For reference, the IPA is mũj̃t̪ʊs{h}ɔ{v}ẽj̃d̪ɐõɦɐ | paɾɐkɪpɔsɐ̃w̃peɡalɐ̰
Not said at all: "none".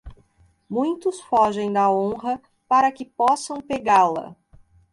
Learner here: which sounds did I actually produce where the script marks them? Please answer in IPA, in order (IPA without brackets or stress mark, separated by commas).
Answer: f, ʒ